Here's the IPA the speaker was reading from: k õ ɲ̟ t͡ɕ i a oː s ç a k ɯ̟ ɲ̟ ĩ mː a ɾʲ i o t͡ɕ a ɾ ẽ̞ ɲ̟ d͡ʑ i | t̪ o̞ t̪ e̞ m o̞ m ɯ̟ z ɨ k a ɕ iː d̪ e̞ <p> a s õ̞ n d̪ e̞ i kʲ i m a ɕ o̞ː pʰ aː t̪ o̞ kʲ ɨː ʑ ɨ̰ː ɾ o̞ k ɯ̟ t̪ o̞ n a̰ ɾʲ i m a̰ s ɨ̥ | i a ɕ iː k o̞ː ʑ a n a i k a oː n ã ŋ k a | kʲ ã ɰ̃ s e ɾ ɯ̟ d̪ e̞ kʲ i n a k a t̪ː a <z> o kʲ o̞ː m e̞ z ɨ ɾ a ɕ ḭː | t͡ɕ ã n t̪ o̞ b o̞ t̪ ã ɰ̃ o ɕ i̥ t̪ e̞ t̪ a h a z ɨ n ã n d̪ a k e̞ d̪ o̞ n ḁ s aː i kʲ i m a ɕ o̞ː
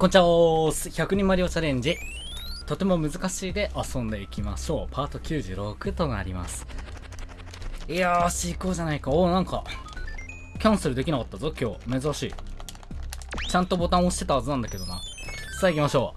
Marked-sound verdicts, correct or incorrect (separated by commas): incorrect, correct